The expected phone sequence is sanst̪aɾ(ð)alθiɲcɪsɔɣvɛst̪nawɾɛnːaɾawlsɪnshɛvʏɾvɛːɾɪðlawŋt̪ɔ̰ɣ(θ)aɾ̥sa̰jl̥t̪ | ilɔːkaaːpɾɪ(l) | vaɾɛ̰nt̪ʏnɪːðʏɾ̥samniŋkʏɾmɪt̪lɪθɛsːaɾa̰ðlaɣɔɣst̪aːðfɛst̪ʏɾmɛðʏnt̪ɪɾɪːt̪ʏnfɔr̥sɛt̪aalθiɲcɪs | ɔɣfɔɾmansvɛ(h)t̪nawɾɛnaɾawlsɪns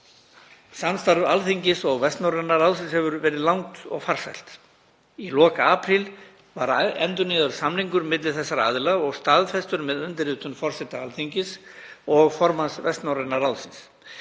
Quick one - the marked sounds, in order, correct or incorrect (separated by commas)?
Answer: incorrect, incorrect, correct, incorrect